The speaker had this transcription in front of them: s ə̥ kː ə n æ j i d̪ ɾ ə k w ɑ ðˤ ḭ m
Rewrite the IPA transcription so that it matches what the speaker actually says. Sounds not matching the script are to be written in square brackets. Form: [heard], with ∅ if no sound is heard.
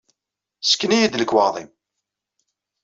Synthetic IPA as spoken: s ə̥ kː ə n [i] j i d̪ [l] ə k w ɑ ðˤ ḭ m